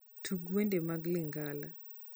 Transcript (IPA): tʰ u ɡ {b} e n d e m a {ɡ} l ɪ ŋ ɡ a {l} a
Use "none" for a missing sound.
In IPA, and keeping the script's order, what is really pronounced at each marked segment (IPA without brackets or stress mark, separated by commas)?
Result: w, ɡ, l